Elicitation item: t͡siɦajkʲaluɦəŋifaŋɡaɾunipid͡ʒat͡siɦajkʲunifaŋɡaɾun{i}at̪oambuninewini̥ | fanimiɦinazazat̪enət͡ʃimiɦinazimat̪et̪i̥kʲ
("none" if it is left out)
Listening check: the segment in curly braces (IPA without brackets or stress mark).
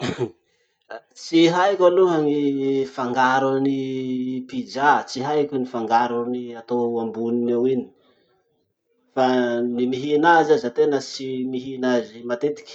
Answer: i